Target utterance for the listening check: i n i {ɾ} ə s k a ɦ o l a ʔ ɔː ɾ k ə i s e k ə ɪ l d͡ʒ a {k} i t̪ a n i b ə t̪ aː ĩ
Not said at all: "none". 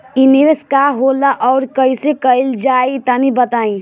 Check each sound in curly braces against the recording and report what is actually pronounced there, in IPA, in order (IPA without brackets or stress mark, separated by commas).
ɾ, none